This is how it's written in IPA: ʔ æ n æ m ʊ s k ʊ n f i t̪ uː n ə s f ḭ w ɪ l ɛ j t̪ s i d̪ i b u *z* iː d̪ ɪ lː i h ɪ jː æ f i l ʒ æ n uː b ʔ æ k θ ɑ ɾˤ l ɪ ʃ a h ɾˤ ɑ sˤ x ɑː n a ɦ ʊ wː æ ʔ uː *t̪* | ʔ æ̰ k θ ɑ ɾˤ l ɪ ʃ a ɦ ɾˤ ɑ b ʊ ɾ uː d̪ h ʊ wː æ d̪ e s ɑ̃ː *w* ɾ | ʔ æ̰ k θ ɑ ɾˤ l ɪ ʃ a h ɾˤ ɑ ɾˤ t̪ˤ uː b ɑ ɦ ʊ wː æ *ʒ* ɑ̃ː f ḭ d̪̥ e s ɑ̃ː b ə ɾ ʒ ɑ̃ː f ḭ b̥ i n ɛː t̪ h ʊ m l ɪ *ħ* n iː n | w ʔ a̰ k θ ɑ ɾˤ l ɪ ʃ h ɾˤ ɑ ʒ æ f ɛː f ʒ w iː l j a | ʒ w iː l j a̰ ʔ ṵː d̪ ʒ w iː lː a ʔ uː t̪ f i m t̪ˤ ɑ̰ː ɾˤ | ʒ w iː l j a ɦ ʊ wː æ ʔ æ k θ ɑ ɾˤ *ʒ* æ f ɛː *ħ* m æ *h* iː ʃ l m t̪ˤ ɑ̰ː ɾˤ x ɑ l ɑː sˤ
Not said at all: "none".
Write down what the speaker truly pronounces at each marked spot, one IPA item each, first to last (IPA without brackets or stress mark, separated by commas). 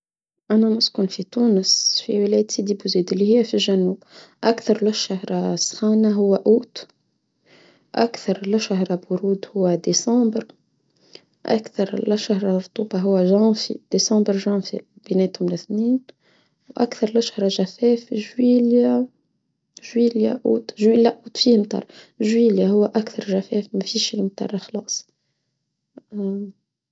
z, t̪, b, ʒ, θ, ʒ, f, f